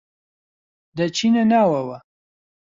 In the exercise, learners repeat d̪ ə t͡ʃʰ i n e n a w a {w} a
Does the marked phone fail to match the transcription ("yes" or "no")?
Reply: no